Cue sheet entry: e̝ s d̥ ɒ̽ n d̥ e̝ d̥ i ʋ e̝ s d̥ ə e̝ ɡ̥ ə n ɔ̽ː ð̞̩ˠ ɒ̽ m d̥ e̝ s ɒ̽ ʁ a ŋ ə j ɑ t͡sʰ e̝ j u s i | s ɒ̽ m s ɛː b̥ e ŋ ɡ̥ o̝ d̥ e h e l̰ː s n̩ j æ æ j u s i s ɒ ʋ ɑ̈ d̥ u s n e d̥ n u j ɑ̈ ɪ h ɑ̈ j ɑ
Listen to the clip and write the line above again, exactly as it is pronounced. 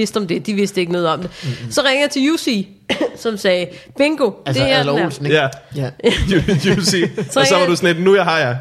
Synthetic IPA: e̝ s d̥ ɒ̽ m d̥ e̝ d̥ i ʋ e̝ s d̥ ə e̝ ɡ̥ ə n ɔ̽ː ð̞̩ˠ ɒ̽ m d̥ e̝ s ɒ̽ ʁ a ŋ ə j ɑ t͡sʰ e̝ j u s i | s ɒ̽ m s ɛː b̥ e ŋ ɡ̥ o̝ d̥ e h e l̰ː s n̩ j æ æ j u s i s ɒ ʋ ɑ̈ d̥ u s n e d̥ n u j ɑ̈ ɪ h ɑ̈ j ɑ